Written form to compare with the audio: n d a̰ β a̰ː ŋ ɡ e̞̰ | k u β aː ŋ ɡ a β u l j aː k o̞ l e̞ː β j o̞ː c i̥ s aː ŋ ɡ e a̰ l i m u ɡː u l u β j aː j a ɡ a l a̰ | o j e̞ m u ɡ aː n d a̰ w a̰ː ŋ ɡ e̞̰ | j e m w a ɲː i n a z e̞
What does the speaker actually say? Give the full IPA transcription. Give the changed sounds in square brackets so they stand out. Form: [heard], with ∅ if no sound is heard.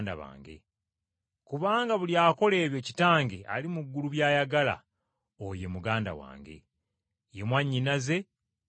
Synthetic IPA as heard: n d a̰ β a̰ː ŋ ɡ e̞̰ | k u β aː ŋ ɡ a β u l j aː k o̞ l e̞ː β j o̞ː c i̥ [t] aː ŋ ɡ e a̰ l i m u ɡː u l u β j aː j a ɡ a l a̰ | o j e̞ m u ɡ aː n d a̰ w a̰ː ŋ ɡ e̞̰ | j e m w a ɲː i n a z e̞